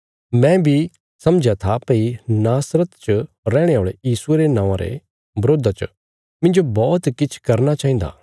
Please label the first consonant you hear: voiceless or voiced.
voiced